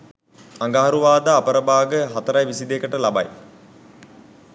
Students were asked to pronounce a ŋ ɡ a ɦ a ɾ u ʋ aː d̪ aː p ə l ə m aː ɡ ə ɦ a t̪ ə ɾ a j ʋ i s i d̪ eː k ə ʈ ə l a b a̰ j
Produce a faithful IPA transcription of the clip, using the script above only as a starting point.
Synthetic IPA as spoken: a ŋ ɡ a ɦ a ɾ u ʋ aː d̪ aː p ə ɾ ə b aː ɡ ə ɦ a t̪ ə ɾ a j ʋ i s i d̪ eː k ə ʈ ə l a b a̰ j